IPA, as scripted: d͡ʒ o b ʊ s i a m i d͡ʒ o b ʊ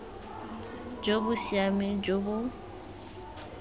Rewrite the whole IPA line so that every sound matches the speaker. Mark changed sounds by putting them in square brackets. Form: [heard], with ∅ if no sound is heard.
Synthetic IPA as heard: d͡ʒ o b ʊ s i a m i d͡ʒ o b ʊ